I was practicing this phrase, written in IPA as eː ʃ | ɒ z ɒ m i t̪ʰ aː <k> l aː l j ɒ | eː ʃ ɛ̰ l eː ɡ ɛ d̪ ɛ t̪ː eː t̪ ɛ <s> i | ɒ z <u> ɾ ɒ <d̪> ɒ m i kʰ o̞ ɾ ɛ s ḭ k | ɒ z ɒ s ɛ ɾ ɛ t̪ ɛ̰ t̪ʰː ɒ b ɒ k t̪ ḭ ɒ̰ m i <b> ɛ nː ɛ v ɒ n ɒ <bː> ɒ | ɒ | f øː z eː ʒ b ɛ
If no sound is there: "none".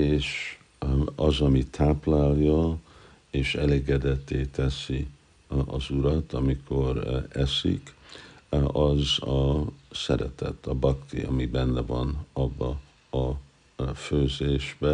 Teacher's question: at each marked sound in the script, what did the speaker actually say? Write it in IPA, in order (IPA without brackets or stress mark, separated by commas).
p, s, u, t̪, b, bː